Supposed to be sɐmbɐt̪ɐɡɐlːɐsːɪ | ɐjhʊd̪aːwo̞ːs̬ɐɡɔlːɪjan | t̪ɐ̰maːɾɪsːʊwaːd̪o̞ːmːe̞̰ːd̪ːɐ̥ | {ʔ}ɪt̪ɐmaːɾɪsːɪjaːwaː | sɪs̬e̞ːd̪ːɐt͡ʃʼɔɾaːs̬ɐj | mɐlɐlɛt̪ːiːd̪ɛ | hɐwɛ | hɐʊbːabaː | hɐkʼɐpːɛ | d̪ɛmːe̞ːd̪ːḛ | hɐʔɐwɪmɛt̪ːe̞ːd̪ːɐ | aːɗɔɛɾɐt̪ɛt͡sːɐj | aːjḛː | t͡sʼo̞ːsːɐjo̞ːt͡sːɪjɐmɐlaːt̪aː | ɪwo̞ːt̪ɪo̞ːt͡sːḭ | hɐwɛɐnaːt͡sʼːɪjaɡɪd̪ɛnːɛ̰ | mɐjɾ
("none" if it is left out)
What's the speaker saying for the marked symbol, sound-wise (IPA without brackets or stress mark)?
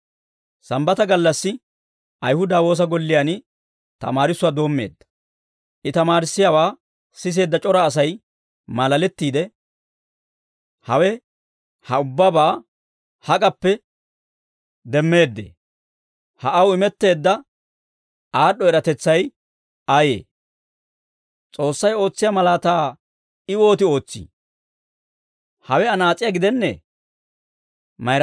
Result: ʔ